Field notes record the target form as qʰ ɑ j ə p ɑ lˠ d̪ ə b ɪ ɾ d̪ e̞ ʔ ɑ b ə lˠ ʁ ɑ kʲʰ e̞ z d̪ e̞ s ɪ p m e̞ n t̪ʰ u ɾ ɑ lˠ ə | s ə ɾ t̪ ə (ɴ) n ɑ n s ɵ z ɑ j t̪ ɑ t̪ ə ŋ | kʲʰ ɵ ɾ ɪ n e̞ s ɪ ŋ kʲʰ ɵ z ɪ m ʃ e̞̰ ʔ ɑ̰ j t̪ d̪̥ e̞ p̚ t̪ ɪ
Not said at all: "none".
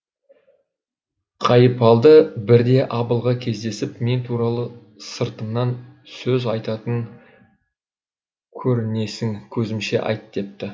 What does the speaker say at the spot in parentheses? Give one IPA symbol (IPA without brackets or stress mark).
m